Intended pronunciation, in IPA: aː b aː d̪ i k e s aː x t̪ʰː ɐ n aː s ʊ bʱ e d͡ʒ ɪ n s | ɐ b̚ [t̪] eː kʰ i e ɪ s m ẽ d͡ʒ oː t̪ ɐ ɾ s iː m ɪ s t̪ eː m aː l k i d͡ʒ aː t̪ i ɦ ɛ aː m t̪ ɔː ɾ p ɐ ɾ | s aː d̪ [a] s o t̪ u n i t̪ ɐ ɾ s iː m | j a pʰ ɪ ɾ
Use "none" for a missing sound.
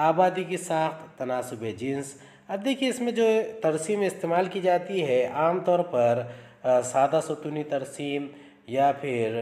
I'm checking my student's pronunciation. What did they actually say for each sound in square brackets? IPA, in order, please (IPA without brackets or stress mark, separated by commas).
d̪, a